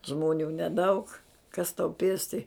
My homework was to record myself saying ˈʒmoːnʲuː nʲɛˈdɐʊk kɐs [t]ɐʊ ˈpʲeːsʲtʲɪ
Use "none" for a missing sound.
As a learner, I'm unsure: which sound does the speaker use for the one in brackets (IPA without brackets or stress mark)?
t